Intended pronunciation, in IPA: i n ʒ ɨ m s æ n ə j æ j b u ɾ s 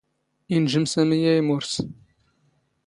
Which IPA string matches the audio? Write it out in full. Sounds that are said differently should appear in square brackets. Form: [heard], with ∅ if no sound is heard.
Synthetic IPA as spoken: i n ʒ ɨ m s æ [m] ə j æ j [m] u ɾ s